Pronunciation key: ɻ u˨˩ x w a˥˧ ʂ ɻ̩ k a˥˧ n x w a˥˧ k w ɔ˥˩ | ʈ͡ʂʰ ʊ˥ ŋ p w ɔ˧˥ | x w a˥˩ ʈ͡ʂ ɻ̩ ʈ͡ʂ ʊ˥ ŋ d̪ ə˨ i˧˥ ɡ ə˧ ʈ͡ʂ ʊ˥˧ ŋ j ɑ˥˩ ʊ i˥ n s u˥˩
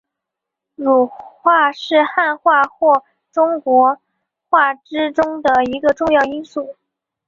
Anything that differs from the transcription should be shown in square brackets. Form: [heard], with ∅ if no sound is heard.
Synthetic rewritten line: ɻ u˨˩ x w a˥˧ ʂ ɻ̩ [x] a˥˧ n x w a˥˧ [x] w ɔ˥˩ | [ʈ͡ʂ] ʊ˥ ŋ [k] w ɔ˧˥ | x w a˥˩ ʈ͡ʂ ɻ̩ ʈ͡ʂ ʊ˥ ŋ d̪ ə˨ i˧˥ ɡ ə˧ ʈ͡ʂ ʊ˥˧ ŋ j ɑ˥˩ ʊ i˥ n s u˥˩